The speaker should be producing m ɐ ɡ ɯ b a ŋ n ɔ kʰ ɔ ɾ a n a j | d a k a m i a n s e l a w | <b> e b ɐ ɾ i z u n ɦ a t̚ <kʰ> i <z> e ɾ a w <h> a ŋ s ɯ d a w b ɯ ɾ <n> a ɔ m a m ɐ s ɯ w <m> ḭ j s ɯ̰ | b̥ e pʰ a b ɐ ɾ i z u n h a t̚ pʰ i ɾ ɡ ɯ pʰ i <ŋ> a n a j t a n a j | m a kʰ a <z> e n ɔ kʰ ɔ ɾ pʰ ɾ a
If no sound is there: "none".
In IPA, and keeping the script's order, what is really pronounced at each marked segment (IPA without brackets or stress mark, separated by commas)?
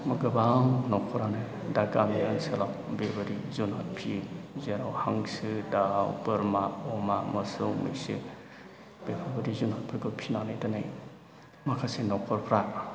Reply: b, pʰ, z, h, m, m, n, s